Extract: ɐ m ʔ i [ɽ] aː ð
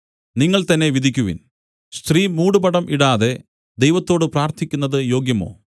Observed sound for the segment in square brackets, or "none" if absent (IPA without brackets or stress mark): ɽ